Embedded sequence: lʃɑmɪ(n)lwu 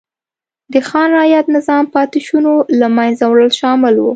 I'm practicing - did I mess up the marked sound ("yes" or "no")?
yes